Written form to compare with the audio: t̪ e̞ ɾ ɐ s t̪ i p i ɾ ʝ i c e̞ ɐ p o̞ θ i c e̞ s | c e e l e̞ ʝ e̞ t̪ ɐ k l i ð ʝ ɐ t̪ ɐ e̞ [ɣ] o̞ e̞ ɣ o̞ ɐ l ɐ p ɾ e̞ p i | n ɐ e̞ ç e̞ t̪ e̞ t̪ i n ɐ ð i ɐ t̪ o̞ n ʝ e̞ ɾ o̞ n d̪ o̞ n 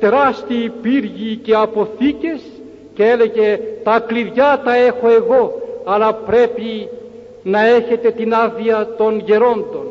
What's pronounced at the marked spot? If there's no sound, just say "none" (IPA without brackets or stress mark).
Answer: x